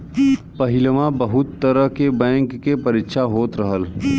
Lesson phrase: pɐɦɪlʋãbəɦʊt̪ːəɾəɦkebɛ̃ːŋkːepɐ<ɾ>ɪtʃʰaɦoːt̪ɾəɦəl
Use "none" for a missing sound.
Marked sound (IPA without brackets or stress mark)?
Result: ɾ